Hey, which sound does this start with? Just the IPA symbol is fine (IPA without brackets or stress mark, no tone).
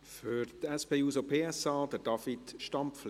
f